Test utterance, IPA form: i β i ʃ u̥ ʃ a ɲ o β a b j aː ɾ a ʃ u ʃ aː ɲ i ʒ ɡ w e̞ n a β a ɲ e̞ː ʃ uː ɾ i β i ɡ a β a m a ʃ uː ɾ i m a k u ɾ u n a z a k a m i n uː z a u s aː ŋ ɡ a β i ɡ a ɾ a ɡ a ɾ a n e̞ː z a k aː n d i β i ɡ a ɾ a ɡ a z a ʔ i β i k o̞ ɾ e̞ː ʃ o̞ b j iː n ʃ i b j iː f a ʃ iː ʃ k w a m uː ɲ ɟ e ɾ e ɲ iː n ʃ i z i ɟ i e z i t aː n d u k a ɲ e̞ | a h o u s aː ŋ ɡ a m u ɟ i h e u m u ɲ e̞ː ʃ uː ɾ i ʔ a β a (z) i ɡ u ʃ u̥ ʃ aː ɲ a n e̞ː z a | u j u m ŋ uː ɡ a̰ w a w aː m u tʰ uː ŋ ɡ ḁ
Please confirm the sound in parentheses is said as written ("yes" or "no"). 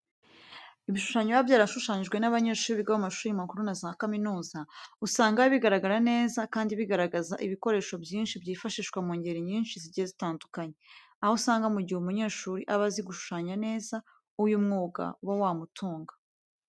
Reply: yes